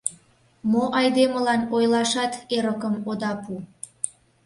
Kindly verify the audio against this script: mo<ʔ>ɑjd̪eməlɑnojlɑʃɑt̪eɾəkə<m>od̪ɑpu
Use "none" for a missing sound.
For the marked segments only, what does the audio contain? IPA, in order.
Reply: ʔ, m

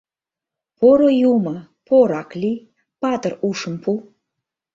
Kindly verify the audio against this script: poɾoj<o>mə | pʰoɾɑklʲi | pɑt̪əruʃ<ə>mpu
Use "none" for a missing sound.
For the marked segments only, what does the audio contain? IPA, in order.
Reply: u, ə

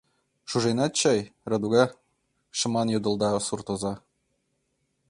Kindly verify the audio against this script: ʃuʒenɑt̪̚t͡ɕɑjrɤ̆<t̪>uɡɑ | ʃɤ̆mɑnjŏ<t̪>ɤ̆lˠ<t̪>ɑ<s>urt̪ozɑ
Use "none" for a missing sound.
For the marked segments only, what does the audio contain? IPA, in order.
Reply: d̪, d̪, d̪, s

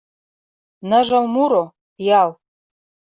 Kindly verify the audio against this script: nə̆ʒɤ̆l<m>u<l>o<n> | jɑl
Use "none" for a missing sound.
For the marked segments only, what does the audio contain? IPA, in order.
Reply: m, ɾ, none

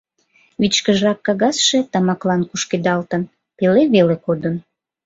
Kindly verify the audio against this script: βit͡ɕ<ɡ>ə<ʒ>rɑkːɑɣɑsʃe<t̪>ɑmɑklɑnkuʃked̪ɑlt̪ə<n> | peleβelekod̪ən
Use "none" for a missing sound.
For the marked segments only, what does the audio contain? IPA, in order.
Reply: k, ʒ, t̪, n

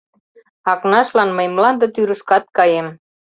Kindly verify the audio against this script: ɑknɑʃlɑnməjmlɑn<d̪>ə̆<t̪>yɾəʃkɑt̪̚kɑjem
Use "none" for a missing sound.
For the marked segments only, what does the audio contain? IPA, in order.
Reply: d̪, t̪

